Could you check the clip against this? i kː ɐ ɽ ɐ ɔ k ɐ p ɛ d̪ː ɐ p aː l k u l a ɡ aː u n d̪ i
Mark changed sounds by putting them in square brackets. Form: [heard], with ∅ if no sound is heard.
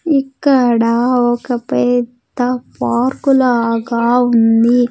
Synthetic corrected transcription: i kː ɐ ɽ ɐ ɔ k ɐ p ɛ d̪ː ɐ p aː [ɾ] k u l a ɡ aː u n d̪ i